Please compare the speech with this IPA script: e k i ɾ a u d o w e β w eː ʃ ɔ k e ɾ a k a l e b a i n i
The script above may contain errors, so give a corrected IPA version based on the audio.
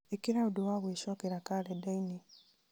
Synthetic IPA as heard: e k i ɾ a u d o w a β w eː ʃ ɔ k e ɾ a k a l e d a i n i